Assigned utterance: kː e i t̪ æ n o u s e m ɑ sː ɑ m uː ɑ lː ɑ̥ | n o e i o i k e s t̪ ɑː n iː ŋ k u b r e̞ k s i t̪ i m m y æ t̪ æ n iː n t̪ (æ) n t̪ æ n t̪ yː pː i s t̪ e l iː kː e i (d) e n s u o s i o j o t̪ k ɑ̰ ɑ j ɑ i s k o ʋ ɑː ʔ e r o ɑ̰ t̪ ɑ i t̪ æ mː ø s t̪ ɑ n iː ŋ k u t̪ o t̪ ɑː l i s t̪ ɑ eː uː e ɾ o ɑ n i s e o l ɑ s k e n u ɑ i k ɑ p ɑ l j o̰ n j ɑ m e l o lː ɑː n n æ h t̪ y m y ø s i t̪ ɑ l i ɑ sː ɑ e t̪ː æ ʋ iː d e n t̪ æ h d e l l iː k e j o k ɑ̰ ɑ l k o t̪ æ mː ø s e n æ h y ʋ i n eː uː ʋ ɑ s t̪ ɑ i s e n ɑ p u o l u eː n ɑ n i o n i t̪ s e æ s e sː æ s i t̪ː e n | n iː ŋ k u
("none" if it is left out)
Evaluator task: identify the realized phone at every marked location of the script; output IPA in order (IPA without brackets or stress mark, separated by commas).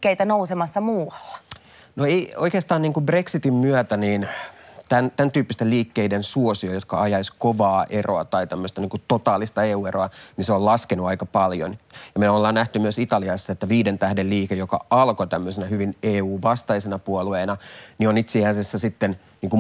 æ, d